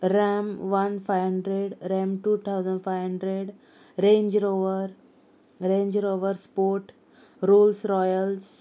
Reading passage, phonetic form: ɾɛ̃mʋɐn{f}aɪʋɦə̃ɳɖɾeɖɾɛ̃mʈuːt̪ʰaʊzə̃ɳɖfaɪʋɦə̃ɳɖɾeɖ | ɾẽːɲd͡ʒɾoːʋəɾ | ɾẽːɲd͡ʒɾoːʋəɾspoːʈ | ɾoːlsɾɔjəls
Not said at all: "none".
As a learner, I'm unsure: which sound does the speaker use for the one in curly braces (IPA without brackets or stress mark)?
f